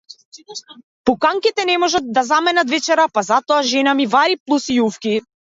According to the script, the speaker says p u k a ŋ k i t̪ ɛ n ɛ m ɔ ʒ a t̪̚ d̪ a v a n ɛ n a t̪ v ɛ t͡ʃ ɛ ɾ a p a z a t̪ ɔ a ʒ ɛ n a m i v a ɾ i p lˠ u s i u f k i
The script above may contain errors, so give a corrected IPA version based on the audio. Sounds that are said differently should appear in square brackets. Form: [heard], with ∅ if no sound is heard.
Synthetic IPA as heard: p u k a ŋ k i t̪ ɛ n ɛ m ɔ ʒ a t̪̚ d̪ a [z] a [m] ɛ n a t̪ v ɛ t͡ʃ ɛ ɾ a p a z a t̪ ɔ a ʒ ɛ n a m i v a ɾ i p lˠ u s i u f k i